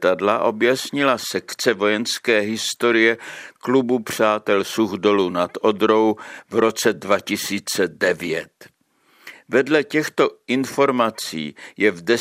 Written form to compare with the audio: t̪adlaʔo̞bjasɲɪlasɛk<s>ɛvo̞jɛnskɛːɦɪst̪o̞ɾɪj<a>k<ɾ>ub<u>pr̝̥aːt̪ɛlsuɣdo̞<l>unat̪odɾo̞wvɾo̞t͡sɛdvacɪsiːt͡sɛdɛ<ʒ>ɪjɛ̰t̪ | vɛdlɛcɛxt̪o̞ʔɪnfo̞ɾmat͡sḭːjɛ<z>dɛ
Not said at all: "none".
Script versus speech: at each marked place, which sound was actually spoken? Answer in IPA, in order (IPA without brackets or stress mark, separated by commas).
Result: t͡s, ɛ, l, u, l, v, v